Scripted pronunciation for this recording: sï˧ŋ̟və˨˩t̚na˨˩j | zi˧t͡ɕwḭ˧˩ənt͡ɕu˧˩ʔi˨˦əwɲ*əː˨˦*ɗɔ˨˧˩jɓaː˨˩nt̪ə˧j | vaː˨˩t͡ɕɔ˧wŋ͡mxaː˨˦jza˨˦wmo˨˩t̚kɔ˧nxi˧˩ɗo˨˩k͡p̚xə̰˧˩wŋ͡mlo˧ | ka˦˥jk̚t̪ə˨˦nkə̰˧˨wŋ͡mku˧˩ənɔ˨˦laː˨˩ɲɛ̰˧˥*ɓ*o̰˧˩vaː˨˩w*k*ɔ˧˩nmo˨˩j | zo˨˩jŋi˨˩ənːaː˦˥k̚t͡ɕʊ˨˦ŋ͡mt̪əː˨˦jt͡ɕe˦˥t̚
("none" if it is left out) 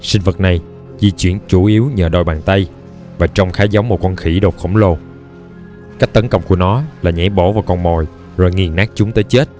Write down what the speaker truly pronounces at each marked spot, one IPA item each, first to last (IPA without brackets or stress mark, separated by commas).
əː˨˩, ɓ, k